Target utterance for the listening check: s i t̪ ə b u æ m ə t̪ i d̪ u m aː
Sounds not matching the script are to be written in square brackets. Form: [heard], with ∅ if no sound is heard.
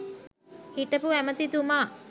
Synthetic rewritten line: [h] i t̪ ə [p] u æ m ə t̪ i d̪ u m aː

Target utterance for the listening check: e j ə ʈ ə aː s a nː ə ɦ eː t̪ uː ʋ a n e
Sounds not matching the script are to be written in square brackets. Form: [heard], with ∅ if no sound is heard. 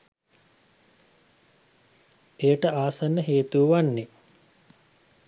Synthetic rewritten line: e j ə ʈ ə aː s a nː ə ɦ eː t̪ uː ʋ a [nː] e

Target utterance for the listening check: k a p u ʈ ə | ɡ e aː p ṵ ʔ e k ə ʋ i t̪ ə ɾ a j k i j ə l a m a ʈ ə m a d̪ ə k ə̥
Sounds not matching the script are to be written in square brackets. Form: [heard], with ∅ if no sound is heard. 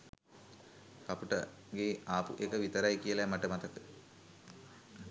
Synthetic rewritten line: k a p u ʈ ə | ɡ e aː p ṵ ʔ e k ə ʋ i t̪ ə ɾ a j k i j ə l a m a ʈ ə m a [t̪] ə k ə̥

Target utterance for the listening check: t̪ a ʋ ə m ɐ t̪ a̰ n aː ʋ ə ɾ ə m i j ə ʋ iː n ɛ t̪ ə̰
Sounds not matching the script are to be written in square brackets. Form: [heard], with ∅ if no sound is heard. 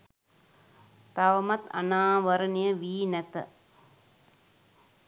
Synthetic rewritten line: t̪ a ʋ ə m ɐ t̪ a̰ n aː ʋ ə ɾ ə [n] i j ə ʋ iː n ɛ t̪ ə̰

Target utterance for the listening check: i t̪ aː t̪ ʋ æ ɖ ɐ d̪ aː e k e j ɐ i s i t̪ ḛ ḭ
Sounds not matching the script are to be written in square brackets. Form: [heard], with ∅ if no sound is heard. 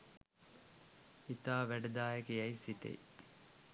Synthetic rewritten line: i t̪ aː [∅] ʋ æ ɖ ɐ d̪ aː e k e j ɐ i s i t̪ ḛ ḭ

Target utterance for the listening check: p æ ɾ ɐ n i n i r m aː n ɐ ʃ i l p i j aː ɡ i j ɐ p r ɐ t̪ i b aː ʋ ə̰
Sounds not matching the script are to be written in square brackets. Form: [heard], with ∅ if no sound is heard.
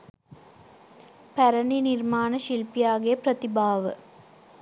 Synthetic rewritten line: p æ ɾ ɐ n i n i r m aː n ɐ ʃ i l p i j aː ɡ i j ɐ p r ɐ t̪ i b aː ʋ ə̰

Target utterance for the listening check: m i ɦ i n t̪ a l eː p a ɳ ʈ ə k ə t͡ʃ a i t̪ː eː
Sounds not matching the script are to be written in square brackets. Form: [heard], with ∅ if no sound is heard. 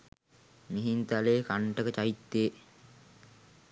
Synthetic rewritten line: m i ɦ i n t̪ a l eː [k] a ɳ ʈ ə k ə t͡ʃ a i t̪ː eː

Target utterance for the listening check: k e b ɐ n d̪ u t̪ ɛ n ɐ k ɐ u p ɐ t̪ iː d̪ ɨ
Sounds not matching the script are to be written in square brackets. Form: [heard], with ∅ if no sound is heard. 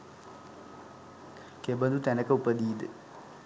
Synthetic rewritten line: k e b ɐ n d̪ u t̪ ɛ n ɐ k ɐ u p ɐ [d̪] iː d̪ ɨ

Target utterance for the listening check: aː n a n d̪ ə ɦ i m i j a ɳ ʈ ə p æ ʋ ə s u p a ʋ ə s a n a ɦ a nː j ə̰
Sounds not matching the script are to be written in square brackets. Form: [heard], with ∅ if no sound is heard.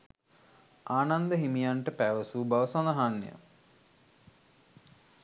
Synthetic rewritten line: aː n a n d̪ ə ɦ i m i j a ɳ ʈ ə p æ ʋ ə s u [b] a ʋ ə s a n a ɦ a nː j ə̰

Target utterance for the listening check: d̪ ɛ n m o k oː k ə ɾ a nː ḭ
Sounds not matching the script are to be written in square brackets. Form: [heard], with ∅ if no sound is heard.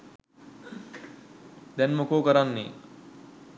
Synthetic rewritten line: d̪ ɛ n m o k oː k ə ɾ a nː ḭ

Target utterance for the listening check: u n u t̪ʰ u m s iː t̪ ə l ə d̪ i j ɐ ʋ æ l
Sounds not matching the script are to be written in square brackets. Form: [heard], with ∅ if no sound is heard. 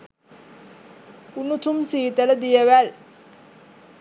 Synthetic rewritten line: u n u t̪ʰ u m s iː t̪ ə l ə d̪ i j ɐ ʋ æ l

